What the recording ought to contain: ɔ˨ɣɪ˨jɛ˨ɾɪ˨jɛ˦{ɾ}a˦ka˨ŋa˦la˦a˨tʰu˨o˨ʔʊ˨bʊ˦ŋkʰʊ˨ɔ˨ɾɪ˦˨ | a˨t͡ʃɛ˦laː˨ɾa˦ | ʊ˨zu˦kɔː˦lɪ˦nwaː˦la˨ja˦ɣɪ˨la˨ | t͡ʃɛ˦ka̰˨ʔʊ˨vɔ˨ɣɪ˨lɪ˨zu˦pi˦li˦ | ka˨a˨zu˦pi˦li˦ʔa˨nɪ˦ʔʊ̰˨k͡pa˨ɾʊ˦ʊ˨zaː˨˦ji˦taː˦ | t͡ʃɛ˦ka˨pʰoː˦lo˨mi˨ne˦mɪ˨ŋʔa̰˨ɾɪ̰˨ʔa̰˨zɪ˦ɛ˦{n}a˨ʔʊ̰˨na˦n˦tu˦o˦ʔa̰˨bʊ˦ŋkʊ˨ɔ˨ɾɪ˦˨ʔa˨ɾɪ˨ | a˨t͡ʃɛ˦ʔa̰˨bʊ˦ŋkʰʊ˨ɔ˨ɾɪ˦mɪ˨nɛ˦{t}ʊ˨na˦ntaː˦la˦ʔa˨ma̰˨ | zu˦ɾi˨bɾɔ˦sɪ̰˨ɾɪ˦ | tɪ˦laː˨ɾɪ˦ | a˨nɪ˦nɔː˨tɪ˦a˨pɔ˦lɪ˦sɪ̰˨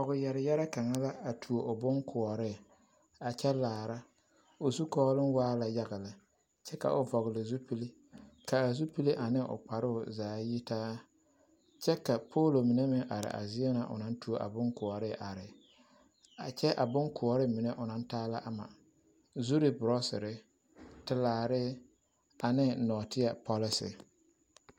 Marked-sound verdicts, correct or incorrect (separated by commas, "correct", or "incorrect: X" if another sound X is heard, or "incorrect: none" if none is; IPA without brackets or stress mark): correct, correct, incorrect: ʔ